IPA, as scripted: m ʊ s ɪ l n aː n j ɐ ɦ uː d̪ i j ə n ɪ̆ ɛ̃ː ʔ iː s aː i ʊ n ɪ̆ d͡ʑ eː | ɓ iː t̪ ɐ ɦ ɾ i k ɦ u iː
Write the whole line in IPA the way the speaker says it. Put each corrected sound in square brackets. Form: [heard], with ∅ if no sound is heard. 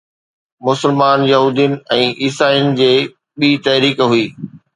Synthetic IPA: m ʊ s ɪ l [m] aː n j ɐ ɦ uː d̪ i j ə n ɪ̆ ɛ̃ː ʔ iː s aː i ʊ n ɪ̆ d͡ʑ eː | ɓ iː t̪ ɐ ɦ ɾ [iː] k ɦ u iː